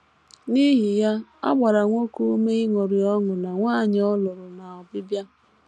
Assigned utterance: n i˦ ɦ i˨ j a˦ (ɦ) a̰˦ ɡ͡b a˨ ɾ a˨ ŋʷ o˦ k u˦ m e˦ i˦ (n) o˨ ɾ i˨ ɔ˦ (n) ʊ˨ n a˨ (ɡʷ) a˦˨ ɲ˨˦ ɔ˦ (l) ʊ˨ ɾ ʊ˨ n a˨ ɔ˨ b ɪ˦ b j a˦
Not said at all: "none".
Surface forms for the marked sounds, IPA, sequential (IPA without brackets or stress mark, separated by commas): none, ŋ, ŋ, ŋʷ, l